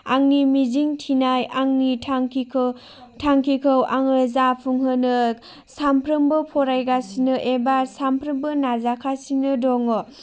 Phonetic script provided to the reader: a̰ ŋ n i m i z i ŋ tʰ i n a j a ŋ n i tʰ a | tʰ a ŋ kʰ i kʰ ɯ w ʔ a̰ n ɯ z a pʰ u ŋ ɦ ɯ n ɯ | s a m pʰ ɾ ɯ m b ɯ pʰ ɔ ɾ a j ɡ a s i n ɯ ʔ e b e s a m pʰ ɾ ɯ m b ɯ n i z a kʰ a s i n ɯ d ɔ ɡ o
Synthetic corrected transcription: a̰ ŋ n i m i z i ŋ tʰ i n a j a ŋ n i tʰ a | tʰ a ŋ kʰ i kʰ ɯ w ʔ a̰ ŋ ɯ z a pʰ u ŋ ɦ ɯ n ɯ | s a m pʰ ɾ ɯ m b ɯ pʰ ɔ ɾ a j ɡ a s i n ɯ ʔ e b a s a m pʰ ɾ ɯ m b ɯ n a z a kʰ a s i n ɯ d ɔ ŋ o